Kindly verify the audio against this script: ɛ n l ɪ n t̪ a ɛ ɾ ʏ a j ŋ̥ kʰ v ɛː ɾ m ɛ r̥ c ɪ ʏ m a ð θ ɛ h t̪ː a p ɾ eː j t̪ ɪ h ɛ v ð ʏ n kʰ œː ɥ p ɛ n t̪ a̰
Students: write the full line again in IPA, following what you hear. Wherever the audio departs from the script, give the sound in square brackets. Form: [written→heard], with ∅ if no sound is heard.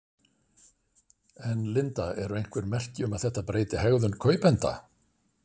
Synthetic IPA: ɛ n l ɪ n t̪ a ɛ ɾ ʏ [a→e] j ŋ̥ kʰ v [ɛː→ɛ] ɾ m ɛ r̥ c ɪ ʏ m a ð θ ɛ h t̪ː a p ɾ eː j t̪ ɪ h ɛ [v→ɣ] ð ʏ n kʰ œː ɥ p ɛ n t̪ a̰